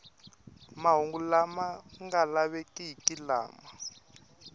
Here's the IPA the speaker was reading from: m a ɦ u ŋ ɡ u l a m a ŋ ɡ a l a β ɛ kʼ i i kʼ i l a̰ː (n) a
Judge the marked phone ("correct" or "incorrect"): incorrect